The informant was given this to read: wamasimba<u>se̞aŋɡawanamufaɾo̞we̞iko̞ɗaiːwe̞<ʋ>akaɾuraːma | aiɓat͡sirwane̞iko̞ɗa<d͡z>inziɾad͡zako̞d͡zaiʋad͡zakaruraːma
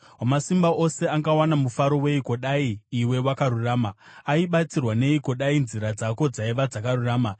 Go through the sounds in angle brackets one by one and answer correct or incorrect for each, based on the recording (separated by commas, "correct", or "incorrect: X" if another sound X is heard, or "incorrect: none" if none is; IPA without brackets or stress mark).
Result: incorrect: o, incorrect: w, incorrect: none